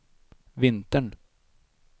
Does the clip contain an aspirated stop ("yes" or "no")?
no